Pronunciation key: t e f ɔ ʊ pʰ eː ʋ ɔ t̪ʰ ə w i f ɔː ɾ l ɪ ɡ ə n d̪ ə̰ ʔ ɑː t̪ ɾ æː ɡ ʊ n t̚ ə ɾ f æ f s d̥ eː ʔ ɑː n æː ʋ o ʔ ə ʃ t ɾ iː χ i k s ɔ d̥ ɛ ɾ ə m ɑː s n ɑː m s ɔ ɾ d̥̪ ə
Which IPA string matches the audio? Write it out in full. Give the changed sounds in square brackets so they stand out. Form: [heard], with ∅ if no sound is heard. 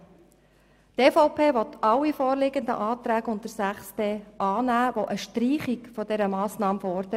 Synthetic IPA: t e f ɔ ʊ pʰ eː ʋ ɔ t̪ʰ [ɑ] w i f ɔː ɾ l ɪ ɡ ə n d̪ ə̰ ʔ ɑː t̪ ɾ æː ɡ ʊ n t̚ ə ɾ [s] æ [χ] s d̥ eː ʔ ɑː n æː ʋ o ʔ ə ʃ t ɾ iː χ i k [f] ɔ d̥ ɛ ɾ ə m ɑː s n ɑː m [f] ɔ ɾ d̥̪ ə